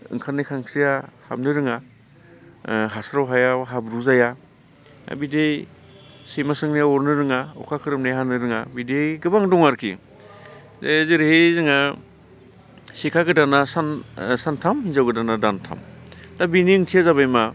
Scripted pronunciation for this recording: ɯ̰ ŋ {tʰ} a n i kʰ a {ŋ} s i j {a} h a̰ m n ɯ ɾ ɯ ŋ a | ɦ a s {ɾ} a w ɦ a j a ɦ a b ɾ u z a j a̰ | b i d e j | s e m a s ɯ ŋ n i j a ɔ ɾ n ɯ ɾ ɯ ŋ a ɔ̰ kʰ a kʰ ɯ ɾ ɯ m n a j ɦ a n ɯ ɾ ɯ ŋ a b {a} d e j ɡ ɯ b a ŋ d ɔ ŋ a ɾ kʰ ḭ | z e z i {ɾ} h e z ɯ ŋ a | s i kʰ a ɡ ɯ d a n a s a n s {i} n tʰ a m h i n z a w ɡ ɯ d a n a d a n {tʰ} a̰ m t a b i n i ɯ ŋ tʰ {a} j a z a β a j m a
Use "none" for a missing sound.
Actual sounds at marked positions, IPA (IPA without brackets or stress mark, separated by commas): kʰ, ŋ, a, ɾ, i, ɾ, a, tʰ, i